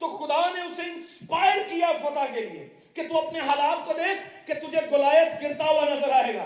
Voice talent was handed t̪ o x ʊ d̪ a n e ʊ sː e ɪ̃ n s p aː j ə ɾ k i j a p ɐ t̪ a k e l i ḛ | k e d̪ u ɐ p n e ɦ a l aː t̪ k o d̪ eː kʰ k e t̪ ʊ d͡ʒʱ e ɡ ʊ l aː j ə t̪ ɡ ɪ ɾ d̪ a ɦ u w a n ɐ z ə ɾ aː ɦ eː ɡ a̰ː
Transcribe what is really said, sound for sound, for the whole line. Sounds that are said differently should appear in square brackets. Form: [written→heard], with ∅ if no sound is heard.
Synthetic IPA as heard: t̪ o x ʊ d̪ a n e ʊ [sː→s] e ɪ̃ n s p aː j ə ɾ k i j a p ɐ t̪ a k e l i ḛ | k e [d̪→t̪] u ɐ p n e ɦ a l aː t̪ k o d̪ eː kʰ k e t̪ ʊ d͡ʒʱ e ɡ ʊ l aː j ə t̪ ɡ ɪ ɾ [d̪→t̪] a ɦ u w a n ɐ z ə ɾ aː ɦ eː ɡ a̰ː